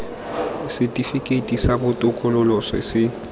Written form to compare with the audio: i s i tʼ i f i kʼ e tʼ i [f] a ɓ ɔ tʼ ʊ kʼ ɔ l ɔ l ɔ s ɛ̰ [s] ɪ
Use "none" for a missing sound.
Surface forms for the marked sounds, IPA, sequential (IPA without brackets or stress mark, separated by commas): s, s